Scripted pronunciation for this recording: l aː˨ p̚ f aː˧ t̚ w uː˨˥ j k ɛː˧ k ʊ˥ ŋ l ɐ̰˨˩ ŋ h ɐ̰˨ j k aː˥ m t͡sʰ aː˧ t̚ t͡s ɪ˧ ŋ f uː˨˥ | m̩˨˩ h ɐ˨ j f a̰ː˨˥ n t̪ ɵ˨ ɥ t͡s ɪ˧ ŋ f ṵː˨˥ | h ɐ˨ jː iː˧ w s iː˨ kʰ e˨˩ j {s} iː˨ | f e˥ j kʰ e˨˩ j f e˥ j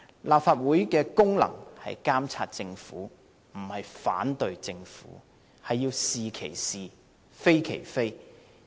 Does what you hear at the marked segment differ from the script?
no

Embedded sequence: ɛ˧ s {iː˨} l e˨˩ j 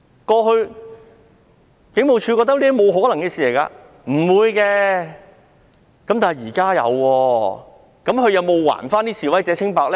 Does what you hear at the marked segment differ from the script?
no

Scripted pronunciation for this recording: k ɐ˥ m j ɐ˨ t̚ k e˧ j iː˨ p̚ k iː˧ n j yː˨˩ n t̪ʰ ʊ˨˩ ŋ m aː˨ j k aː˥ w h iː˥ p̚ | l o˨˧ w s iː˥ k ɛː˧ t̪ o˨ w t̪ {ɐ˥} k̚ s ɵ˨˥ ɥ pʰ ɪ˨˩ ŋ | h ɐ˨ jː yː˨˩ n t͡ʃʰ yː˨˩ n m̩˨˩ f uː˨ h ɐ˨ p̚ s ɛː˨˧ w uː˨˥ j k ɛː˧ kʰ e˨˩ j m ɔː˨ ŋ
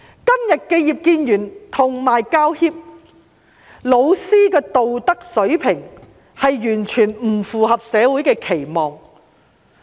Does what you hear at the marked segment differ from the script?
no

